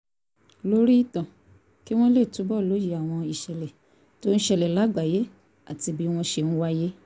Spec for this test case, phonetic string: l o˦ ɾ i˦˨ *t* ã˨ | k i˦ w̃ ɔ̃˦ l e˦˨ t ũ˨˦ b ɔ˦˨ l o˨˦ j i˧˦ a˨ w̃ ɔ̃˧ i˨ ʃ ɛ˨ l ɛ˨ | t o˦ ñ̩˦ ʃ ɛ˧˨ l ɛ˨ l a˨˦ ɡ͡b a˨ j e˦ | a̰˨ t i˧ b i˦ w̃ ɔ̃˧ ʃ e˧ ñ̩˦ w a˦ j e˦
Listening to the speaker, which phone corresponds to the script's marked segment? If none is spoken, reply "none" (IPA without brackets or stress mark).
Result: t